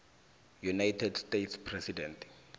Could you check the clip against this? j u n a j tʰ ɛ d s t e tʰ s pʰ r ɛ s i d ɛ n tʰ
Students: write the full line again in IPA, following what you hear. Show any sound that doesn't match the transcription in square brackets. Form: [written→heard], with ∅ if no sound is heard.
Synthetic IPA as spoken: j u n a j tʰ ɛ d s t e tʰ s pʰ r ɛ s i d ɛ n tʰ